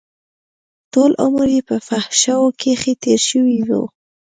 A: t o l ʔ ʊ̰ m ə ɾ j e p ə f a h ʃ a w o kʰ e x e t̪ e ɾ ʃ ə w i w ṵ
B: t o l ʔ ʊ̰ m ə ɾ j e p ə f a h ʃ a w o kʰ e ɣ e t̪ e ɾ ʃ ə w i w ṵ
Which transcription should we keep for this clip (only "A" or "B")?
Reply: A